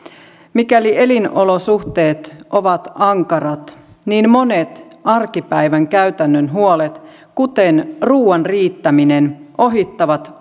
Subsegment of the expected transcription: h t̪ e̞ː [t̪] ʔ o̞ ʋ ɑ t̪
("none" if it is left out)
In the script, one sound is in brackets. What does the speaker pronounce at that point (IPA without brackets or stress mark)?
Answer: t̪